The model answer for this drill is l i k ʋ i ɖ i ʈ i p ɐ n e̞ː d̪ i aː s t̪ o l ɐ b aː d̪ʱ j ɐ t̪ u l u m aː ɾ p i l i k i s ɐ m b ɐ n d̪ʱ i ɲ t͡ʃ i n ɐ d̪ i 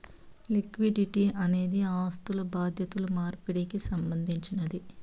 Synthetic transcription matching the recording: l i k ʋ i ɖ i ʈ i ɐ n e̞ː d̪ i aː s t̪ u l ɐ b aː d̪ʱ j ɐ t̪ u l u m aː ɾ p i ɽ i k i s ɐ m b ɐ n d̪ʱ i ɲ t͡ʃ i n ɐ d̪ i